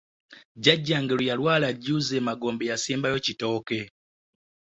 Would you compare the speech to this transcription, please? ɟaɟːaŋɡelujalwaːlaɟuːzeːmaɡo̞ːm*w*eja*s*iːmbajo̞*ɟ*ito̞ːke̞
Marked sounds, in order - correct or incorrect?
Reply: incorrect, correct, incorrect

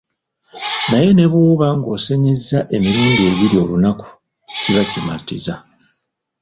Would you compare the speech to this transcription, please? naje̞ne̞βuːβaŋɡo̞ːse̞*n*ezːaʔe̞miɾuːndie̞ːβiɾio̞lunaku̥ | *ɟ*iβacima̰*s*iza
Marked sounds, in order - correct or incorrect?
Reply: incorrect, incorrect, incorrect

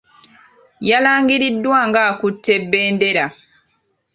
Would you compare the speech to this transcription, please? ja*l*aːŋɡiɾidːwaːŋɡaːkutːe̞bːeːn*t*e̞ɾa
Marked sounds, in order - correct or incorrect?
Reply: correct, incorrect

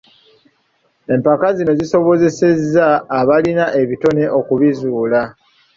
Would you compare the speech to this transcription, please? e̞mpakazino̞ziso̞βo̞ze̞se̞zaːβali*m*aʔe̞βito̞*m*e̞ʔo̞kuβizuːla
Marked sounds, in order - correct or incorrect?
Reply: incorrect, incorrect

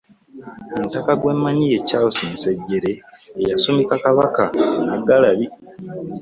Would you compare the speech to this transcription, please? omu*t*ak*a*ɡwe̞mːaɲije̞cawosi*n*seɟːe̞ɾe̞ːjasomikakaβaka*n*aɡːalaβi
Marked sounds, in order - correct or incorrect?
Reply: correct, correct, correct, correct

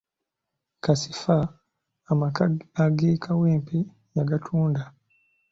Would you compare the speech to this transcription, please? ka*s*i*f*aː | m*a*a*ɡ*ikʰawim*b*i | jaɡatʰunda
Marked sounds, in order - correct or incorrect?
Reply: correct, correct, correct, correct, incorrect

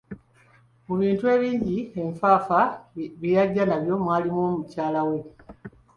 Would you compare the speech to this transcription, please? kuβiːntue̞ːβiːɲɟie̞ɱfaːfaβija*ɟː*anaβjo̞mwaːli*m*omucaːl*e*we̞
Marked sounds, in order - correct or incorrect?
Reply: correct, correct, incorrect

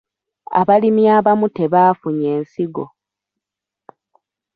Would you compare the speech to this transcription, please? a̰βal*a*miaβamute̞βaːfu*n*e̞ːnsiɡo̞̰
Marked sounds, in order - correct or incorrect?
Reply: incorrect, incorrect

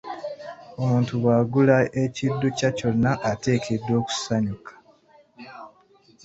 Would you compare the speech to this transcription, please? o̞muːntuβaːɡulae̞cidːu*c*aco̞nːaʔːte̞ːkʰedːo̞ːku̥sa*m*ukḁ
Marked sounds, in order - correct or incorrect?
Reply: correct, incorrect

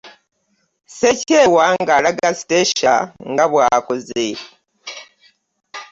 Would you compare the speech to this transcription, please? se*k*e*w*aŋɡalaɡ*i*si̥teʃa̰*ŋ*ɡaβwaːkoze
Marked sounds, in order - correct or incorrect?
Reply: incorrect, correct, incorrect, correct

